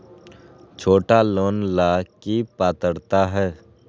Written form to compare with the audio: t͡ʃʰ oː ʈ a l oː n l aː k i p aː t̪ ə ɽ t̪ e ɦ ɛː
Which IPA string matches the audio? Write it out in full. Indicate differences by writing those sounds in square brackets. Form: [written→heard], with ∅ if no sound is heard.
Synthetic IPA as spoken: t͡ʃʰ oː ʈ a l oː n l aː k i p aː t̪ ə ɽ t̪ [e→a] ɦ ɛː